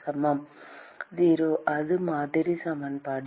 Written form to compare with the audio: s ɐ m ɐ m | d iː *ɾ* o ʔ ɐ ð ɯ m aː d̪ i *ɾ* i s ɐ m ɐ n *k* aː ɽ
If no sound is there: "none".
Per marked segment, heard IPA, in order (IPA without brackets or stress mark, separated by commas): ɾ, ɾ, p